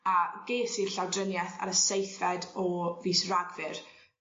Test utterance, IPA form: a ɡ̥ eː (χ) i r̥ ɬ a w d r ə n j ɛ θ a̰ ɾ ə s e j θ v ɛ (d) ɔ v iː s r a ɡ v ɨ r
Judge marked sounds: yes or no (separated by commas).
no, yes